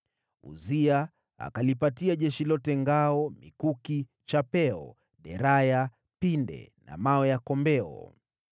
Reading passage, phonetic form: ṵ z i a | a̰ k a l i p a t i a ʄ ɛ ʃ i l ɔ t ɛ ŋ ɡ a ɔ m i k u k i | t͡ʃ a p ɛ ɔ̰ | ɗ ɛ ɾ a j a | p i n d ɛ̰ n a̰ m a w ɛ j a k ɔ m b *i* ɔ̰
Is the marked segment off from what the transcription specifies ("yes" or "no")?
yes